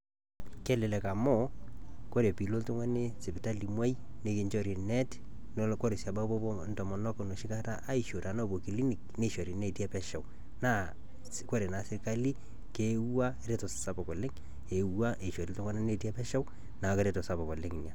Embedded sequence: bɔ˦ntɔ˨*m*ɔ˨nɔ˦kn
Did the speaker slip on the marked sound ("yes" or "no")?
no